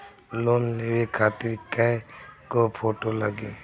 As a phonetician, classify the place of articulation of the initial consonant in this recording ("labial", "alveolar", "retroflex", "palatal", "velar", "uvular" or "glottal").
alveolar